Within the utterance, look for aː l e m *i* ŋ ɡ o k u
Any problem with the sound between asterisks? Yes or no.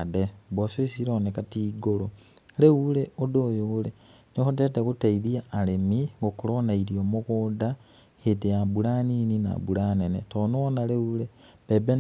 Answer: no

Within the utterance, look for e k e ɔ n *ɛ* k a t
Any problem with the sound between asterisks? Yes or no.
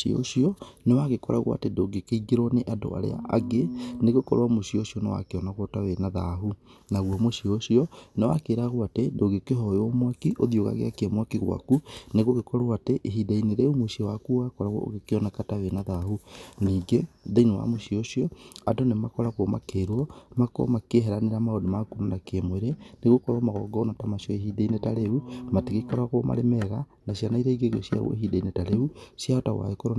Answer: yes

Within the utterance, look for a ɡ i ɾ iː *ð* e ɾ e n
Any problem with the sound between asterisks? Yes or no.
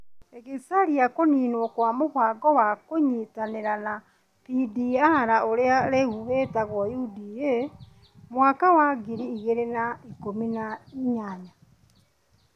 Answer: yes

